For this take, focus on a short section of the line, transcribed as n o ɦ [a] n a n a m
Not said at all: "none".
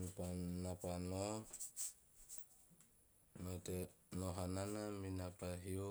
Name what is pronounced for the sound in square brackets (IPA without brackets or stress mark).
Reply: a